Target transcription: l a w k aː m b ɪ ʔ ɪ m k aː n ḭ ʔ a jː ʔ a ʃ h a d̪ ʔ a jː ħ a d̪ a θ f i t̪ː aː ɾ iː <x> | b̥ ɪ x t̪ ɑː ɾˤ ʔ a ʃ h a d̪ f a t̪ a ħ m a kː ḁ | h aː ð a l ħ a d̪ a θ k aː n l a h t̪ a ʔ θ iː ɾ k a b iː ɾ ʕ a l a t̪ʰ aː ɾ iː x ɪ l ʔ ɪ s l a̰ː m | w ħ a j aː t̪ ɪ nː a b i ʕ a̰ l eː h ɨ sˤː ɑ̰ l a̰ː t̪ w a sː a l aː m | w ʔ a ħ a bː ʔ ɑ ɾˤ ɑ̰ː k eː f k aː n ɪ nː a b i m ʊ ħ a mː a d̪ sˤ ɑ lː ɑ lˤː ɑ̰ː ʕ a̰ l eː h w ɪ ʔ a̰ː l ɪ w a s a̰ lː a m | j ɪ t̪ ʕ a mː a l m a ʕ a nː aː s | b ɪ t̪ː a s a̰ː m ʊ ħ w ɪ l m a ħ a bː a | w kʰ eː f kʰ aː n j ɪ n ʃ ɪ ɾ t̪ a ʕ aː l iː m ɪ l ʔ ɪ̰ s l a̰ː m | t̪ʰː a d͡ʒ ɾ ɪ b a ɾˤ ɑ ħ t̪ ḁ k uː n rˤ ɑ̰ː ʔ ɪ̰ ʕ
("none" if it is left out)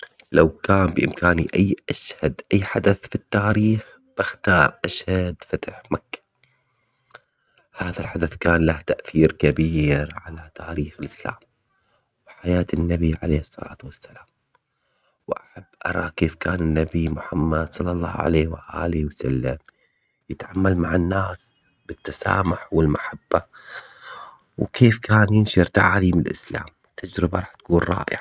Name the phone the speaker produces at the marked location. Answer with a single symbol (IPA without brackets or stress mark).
x